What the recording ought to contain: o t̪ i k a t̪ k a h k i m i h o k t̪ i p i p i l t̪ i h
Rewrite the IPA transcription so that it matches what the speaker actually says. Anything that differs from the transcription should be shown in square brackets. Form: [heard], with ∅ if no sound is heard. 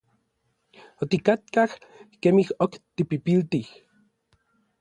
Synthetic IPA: o t̪ i k a t̪ k a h k [e] m i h o k t̪ i p i p i l t̪ i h